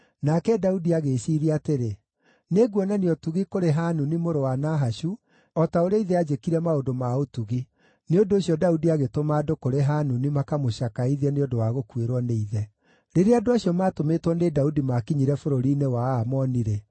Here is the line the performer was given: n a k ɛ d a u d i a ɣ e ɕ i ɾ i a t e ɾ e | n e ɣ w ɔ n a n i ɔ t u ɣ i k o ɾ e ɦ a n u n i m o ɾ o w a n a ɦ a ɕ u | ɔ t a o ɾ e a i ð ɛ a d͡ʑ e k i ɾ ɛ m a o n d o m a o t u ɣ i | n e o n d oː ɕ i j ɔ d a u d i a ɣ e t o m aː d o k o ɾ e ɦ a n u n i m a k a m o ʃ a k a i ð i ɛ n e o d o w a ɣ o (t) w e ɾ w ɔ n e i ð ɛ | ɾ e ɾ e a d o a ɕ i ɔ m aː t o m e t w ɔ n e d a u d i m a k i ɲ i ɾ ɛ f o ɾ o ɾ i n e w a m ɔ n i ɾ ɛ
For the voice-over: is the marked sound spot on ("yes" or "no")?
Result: no